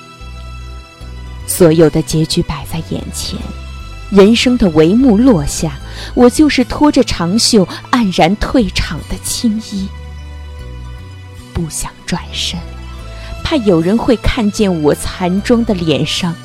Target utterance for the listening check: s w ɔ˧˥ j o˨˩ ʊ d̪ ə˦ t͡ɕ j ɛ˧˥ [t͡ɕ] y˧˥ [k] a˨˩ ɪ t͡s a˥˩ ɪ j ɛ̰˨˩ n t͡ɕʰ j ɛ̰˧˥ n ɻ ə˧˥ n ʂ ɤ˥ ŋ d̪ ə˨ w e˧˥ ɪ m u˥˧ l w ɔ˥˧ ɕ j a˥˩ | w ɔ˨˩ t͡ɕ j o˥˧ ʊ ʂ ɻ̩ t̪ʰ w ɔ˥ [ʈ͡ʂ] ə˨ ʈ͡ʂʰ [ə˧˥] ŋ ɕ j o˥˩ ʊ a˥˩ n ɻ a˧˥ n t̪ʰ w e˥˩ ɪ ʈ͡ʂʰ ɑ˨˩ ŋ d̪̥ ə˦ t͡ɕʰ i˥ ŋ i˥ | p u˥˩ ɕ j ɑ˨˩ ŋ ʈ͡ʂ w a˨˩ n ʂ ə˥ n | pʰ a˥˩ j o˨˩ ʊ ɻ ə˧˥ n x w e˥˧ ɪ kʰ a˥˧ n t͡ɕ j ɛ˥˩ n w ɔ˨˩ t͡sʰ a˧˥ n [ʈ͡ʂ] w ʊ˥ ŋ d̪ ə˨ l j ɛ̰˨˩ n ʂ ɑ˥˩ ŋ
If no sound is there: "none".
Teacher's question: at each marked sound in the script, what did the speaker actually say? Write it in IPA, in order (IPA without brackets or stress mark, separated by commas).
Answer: t͡ɕ, p, ʈ͡ʂ, ɑ˧˥, ʈ͡ʂ